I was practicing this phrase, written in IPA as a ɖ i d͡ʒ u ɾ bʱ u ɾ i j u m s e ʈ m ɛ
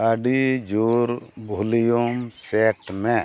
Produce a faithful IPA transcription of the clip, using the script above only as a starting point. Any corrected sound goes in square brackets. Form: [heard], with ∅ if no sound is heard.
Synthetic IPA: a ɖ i d͡ʒ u ɾ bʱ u [l] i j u m s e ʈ m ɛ